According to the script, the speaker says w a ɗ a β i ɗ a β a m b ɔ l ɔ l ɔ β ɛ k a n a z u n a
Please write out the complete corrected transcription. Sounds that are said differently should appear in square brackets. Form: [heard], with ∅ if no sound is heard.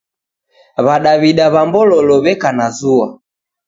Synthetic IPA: [β] a ɗ a β i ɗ a β a m b ɔ l ɔ l ɔ β ɛ k a n a z u [∅] a